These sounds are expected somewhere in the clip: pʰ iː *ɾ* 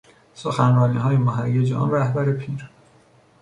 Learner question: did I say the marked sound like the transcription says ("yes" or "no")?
yes